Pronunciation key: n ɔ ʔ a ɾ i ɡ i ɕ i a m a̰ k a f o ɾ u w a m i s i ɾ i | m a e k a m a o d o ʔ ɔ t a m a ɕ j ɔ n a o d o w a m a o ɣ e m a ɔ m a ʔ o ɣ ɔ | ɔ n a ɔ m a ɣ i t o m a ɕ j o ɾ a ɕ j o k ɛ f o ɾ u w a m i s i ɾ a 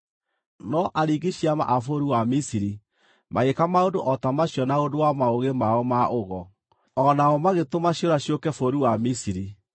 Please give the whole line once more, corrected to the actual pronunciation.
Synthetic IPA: n ɔ ʔ a ɾ i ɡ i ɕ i a m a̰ ʔ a f o ɾ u w a m i s i ɾ i | m a e k a m a o d o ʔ ɔ t a m a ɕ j ɔ n a o d o w a m a o ɣ e m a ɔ m a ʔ o ɣ ɔ | ɔ n a ɔ m a ɣ e t o m a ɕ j o ɾ a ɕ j o k ɛ f o ɾ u w a m i s i ɾ i